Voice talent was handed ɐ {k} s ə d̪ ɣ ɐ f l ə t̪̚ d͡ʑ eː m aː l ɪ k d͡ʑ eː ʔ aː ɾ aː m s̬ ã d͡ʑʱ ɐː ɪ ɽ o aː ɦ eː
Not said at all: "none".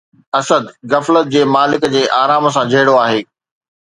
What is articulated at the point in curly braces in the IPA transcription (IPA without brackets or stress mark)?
none